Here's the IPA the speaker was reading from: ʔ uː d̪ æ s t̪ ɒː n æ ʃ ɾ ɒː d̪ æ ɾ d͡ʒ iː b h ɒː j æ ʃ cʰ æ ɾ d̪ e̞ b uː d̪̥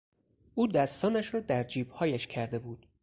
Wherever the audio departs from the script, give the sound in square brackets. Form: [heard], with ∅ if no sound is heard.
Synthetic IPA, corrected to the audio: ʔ uː d̪ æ s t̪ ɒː n æ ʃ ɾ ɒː d̪ æ ɾ d͡ʒ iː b h ɒː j æ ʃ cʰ æ ɾ d̪ e̞ b uː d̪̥

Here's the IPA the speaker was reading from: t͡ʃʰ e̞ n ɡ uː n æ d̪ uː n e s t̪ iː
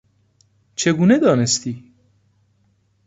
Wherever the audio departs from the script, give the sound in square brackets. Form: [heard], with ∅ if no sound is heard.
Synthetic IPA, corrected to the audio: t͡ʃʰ e̞ [∅] ɡ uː n [e] d̪ [ɒː] n e s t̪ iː

